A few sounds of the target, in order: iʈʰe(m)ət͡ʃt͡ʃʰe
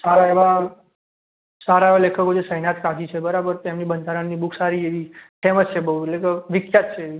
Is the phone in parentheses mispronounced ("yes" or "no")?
no